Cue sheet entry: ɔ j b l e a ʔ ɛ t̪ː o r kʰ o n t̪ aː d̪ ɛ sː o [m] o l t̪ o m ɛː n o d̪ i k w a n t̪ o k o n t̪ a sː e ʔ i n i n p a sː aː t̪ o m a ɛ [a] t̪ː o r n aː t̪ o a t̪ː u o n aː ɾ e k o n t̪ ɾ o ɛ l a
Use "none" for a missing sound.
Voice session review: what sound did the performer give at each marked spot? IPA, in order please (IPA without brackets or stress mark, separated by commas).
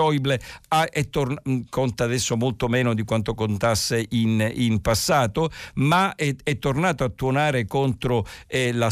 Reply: m, ɛ